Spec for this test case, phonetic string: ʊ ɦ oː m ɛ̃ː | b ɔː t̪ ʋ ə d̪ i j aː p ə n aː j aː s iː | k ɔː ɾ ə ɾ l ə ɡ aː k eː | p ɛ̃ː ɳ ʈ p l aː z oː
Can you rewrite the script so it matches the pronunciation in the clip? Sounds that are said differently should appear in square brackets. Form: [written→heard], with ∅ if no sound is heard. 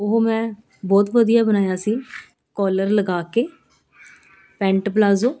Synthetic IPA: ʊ ɦ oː m ɛ̃ː | b ɔː t̪ ʋ ə d̪ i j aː [p→b] ə n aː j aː s iː | k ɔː [ɾ→l] ə ɾ l ə ɡ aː k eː | p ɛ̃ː ɳ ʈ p l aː z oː